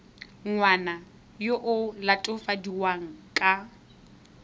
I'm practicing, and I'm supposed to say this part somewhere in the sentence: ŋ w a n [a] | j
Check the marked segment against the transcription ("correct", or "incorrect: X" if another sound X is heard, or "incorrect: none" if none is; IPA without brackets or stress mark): correct